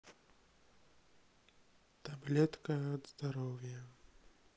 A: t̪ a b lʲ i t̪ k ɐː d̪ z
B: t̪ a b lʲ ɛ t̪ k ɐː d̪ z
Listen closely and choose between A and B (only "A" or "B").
B